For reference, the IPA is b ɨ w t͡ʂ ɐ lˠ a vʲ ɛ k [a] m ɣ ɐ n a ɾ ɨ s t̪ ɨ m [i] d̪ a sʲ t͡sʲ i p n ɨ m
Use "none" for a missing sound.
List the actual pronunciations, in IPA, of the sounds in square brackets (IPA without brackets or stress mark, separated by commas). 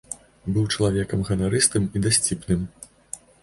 ɐ, i